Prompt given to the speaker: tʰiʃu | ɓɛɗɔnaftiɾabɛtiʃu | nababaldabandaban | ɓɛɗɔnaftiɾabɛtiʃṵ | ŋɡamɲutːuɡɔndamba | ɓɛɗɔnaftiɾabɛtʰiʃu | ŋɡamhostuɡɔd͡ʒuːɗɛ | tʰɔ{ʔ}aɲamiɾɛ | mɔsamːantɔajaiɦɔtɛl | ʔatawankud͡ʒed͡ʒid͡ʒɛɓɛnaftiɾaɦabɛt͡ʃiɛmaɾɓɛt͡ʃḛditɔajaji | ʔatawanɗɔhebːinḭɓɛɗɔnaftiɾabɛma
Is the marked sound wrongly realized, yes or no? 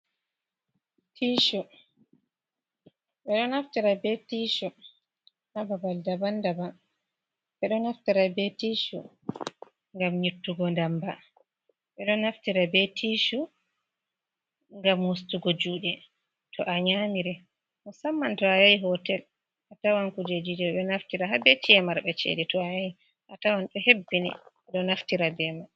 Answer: no